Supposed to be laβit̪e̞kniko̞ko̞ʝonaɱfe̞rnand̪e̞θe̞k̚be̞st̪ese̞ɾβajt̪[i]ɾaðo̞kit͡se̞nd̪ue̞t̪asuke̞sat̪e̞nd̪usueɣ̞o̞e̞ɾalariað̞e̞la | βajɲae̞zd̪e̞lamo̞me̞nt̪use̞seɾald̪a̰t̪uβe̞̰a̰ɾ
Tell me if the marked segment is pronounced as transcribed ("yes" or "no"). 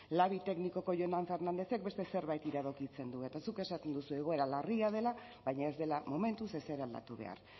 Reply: yes